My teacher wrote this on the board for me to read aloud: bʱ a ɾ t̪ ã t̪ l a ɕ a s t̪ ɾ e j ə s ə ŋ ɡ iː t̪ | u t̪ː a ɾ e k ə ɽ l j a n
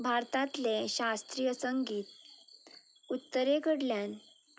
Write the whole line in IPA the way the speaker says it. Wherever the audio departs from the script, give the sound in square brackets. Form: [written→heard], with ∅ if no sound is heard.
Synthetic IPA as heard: bʱ a ɾ t̪ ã t̪ l [a→e] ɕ a s t̪ ɾ [e→i] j ə s ə ŋ ɡ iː t̪ | u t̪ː [a→ə] ɾ e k ə ɽ l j a n